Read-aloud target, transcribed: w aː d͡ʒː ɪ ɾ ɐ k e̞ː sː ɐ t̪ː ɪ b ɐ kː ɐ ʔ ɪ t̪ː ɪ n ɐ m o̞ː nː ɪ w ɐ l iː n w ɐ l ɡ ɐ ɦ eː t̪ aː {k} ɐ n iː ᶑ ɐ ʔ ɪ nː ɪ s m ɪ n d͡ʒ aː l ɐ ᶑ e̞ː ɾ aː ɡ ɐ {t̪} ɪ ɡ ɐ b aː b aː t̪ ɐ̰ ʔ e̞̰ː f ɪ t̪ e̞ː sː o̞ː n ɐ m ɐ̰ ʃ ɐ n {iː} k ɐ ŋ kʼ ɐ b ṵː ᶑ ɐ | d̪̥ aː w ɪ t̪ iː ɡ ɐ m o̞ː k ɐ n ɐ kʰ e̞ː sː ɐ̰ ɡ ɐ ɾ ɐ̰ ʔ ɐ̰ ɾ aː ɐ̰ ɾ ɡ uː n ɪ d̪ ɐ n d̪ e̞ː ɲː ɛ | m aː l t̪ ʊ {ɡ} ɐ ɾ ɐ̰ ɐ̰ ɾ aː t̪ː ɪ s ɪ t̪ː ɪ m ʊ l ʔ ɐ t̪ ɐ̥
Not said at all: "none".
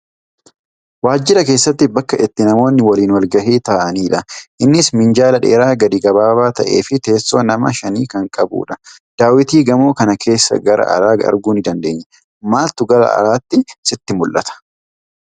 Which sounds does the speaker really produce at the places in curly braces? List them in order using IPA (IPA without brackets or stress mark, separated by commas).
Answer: ʔ, d̪, iː, ɡ